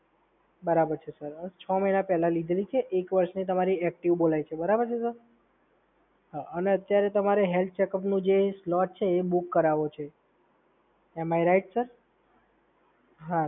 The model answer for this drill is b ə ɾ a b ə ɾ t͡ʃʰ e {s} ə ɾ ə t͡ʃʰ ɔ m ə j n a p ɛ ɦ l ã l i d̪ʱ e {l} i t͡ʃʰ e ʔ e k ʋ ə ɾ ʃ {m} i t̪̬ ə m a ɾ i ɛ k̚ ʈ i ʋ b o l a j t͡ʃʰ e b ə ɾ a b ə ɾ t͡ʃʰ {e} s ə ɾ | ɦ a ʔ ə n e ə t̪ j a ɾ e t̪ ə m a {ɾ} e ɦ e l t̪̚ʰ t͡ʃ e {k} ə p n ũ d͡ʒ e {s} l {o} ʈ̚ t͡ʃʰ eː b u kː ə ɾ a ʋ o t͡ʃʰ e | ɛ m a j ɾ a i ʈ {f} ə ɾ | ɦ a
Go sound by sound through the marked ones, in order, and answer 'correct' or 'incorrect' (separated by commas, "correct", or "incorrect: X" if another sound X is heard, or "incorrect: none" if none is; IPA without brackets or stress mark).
correct, correct, incorrect: n, correct, correct, correct, correct, incorrect: ɔ, incorrect: s